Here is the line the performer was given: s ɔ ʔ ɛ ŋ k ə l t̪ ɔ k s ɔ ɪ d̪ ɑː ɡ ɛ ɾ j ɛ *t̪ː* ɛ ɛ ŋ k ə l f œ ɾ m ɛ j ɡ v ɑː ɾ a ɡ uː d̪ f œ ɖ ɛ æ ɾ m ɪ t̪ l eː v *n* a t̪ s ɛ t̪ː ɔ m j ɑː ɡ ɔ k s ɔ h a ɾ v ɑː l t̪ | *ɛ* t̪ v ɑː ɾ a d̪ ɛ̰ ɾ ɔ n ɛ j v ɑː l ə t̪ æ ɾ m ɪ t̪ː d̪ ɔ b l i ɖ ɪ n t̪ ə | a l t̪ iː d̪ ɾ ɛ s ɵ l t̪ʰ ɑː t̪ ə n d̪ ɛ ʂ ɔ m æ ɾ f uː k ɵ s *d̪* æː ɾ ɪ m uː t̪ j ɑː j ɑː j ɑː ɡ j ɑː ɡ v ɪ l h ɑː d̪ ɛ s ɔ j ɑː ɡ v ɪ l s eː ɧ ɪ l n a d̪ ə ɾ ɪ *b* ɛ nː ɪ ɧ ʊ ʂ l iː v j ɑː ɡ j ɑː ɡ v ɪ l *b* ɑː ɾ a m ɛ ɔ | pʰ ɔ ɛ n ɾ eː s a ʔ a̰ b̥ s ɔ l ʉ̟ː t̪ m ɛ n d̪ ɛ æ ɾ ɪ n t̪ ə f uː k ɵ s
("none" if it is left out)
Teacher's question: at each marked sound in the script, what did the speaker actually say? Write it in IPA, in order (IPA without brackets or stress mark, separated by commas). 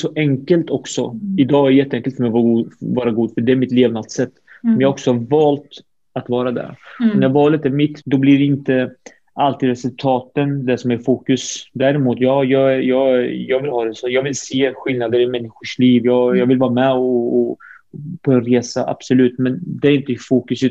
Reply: t̪ː, n, a, d̪, m, v